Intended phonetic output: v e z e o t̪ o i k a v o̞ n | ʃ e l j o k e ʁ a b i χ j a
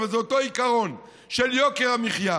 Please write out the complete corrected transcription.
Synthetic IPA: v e z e o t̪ o i k a ʁ o̞ n | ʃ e l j o k e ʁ a m i χ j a

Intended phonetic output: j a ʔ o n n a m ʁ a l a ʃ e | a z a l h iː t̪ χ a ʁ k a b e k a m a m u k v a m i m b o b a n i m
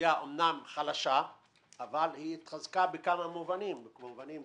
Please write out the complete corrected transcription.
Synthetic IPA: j a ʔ o m n a m χ a l a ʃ a | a v a l h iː t̪ χ a z k a b e k a m a m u v a n i m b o v a n i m

